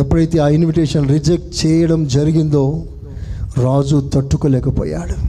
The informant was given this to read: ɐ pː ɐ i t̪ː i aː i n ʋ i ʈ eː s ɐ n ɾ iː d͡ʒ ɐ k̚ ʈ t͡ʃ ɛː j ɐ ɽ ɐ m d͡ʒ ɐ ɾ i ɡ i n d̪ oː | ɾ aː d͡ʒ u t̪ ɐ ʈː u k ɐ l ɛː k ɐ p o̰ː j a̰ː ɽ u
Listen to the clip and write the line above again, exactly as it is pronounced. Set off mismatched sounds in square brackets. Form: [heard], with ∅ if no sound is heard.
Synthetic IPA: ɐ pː ɐ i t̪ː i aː i n ʋ i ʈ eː [ʂ] ɐ n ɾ [i] d͡ʒ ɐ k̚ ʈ t͡ʃ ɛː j ɐ ɽ ɐ m d͡ʒ ɐ ɾ i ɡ i n d̪ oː | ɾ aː d͡ʒ u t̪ ɐ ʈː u k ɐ l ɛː k ɐ p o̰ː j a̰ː ɽ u